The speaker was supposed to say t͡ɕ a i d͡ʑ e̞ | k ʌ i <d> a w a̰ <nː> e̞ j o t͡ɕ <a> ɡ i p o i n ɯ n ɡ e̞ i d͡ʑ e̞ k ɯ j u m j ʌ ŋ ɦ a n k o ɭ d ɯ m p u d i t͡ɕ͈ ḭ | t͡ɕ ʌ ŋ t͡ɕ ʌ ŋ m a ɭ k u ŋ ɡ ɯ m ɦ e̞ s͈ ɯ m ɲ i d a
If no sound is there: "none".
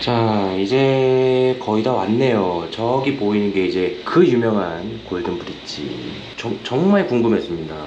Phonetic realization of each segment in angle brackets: d, nː, ʌ

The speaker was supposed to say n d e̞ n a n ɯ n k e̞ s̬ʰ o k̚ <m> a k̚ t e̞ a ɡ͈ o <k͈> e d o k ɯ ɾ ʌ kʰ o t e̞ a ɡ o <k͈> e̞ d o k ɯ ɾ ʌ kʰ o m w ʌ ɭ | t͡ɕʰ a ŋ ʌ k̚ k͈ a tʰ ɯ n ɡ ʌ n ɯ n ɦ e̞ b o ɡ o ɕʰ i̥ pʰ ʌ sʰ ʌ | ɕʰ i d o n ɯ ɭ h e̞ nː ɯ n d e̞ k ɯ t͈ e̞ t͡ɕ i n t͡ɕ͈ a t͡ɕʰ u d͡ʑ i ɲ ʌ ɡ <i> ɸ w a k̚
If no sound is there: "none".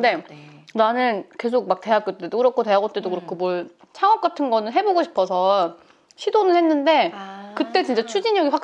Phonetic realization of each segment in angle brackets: m, t͈, t͈, i

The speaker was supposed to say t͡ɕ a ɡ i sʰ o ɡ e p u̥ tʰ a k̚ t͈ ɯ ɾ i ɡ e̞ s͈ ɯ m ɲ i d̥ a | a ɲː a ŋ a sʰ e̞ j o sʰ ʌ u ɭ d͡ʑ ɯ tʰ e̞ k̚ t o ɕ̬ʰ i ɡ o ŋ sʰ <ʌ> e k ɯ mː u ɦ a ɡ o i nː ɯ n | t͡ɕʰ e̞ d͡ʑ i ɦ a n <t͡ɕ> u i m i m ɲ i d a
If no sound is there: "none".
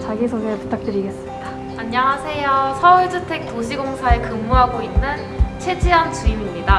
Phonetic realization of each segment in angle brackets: a, t͡ɕ

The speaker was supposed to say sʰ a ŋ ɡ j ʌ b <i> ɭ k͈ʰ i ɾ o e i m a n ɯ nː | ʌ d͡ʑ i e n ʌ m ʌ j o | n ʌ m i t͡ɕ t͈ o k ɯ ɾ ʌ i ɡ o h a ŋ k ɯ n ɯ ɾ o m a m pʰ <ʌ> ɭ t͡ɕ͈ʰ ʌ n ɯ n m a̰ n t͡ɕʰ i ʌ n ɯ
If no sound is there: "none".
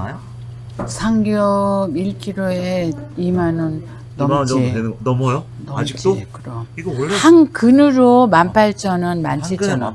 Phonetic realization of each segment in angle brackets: i, a

